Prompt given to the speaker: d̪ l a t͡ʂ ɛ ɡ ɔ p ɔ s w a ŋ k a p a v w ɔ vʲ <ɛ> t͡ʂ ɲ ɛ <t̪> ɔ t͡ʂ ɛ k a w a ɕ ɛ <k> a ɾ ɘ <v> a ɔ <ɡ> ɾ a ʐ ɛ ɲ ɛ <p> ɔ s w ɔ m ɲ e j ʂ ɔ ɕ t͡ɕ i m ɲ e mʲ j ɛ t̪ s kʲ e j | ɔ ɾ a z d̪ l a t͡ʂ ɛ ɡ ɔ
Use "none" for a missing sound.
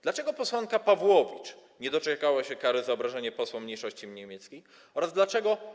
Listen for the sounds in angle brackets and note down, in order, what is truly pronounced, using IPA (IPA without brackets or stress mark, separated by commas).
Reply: i, d̪, k, z, b, p